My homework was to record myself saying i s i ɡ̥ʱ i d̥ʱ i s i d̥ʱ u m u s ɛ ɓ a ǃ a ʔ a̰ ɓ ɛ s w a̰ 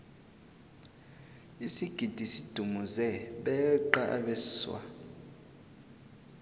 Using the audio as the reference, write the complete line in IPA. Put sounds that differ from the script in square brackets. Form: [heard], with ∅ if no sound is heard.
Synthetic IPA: i s i ɡ̥ʱ i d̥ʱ i s i d̥ʱ u m u [z] ɛ ɓ [ɛ] ǃ a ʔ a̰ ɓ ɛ s w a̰